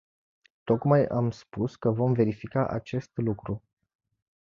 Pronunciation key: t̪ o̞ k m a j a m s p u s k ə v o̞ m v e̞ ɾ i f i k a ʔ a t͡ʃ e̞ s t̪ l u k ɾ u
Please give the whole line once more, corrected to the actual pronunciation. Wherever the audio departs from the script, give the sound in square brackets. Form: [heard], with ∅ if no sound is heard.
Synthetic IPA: t̪ o̞ k m a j a m s p u s k ə v o̞ m v e̞ ɾ i f i k a ʔ a t͡ʃ e̞ s t̪ l u k ɾ u